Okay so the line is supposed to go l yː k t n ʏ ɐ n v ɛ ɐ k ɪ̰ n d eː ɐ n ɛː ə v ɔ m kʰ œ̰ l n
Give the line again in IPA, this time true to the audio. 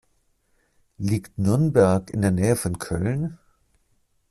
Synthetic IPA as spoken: l iː k t n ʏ ɐ n b ɛ ɐ k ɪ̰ n d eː ɐ n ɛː ə f ɔ n kʰ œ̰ l n